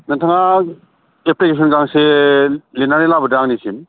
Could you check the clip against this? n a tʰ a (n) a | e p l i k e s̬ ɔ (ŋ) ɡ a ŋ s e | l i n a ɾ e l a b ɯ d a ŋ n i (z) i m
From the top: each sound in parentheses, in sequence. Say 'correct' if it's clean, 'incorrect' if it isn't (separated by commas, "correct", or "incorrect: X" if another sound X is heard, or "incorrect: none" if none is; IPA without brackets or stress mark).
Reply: incorrect: ŋ, incorrect: n, incorrect: s